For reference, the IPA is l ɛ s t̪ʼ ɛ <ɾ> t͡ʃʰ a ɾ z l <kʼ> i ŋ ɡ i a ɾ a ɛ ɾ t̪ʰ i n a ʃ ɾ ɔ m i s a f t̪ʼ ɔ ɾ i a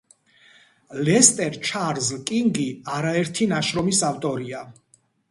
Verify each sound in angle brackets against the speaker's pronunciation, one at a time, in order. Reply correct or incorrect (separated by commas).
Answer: correct, correct